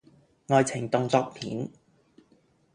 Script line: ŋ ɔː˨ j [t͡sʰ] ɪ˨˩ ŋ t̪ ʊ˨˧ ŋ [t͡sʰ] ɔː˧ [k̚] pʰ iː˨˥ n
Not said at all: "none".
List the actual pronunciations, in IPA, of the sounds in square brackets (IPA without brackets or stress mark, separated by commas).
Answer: t͡sʰ, t͡s, k̚